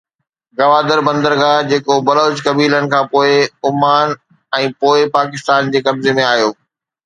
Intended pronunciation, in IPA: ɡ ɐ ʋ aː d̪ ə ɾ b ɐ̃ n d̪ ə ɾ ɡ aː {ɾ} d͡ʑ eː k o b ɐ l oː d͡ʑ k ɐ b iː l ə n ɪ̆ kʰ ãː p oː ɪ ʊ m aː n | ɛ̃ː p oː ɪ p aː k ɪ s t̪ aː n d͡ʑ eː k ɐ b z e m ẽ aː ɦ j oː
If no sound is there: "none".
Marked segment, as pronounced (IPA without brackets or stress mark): none